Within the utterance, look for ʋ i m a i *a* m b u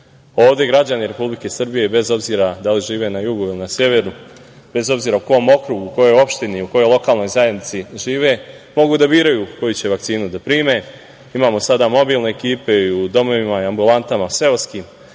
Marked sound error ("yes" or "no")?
no